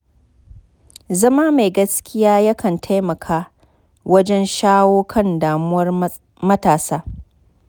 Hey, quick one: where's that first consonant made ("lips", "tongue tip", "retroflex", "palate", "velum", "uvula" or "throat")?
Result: tongue tip